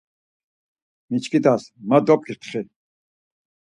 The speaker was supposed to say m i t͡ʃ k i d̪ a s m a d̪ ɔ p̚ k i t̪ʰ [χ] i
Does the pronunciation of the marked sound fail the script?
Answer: no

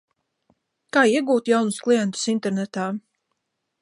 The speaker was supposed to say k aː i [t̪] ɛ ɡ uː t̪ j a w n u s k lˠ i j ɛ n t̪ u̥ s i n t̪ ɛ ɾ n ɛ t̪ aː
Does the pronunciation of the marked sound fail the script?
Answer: yes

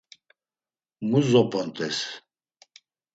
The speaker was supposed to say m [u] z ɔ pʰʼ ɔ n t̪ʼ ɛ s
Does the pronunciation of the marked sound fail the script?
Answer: no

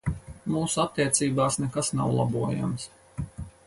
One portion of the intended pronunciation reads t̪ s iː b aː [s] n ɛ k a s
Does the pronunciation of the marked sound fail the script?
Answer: no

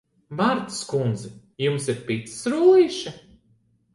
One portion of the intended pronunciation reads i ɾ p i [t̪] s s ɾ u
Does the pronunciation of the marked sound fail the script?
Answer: no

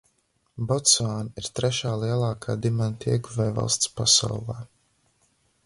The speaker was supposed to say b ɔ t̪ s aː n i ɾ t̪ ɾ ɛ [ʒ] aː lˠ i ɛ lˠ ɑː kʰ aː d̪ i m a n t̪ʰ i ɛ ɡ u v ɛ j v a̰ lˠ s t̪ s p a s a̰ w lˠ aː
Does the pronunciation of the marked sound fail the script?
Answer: yes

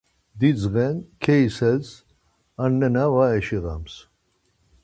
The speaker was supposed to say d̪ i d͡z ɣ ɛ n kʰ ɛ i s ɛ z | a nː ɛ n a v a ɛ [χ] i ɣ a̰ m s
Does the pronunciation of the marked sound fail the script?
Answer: yes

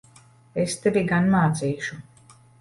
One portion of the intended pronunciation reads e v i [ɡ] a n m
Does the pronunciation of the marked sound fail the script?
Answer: no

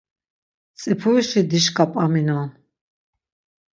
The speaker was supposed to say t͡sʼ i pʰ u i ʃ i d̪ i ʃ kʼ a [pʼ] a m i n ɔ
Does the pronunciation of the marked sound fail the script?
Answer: no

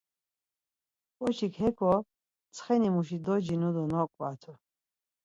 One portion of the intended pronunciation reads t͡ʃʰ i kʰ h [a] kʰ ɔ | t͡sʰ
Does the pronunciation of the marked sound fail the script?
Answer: yes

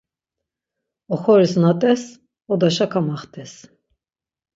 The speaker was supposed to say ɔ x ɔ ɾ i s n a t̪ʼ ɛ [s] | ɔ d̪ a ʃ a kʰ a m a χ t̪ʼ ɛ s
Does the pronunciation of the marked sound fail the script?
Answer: no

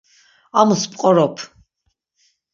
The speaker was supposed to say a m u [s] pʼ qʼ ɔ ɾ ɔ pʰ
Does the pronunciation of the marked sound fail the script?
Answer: no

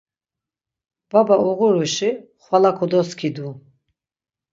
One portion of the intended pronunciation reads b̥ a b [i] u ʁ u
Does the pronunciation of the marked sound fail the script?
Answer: yes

